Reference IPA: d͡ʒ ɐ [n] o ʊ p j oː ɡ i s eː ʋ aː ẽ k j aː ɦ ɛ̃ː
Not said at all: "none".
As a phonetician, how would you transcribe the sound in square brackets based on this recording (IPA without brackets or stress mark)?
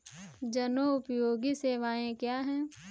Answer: n